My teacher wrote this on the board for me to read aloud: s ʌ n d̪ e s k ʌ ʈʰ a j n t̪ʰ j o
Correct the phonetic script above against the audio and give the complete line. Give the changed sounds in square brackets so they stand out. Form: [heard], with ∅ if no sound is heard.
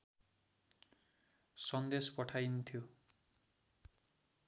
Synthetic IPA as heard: s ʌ n d̪ e s [p] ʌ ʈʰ a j n t̪ʰ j o